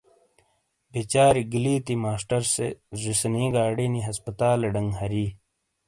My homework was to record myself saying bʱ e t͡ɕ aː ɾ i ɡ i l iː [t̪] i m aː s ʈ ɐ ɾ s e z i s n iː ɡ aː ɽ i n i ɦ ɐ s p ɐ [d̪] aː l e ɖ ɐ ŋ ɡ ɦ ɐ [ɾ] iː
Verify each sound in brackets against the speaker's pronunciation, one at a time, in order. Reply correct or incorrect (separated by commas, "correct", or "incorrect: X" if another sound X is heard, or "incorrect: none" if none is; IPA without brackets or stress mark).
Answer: correct, incorrect: t̪, correct